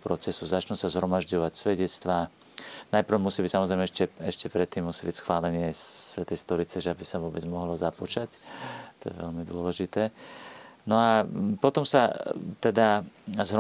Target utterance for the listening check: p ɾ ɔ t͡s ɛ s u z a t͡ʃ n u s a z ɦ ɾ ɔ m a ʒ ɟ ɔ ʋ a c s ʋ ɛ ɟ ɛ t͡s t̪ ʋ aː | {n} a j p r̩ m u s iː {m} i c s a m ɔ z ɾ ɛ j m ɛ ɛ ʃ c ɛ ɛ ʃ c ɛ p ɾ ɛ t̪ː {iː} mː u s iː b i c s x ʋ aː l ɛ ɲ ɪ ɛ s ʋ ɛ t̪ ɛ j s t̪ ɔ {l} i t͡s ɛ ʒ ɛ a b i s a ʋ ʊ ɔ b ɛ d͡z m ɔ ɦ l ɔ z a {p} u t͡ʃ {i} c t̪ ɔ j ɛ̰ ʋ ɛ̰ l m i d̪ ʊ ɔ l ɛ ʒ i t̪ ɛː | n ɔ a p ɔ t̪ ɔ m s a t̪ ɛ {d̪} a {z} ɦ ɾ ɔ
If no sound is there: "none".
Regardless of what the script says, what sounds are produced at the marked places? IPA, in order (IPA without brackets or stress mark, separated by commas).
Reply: n, b, iː, ɾ, p, a, d̪, z